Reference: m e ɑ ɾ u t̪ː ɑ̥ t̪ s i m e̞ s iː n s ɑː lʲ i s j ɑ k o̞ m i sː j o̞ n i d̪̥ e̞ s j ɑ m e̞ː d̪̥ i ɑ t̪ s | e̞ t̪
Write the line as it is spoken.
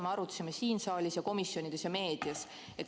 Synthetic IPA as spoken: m e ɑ ɾ u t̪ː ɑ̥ s i m e̞ s iː n s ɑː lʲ i s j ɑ k o̞ m i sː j o̞ n i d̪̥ e̞ s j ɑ m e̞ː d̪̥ i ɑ s | e̞ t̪